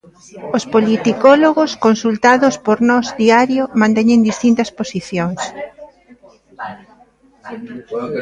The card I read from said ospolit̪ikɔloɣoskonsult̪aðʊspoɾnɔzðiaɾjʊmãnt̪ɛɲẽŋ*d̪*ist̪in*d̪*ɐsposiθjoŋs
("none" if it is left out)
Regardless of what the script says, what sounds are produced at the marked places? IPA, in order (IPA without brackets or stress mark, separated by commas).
d̪, t̪